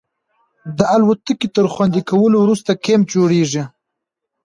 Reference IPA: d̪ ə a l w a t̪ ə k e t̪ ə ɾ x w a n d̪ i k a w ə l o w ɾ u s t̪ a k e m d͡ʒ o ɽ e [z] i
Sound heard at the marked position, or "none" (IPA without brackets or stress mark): ʐ